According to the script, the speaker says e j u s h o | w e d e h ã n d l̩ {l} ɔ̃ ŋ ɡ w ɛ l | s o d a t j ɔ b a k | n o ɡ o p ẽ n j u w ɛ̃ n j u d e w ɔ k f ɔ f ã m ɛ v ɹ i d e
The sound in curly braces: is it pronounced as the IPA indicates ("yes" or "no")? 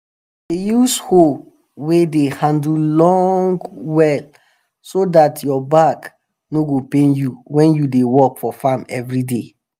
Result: yes